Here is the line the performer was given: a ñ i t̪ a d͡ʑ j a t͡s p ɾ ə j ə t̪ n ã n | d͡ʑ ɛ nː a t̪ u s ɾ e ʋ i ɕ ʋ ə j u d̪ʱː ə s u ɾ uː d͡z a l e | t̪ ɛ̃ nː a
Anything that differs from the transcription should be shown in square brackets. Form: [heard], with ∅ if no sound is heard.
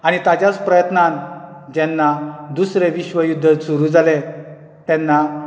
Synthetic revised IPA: a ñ i t̪ a d͡ʑ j a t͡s p ɾ ə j ə t̪ n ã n | d͡ʑ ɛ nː a [d̪] u s ɾ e ʋ i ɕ ʋ ə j u d̪ʱː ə s u ɾ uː d͡z a l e | t̪ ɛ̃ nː a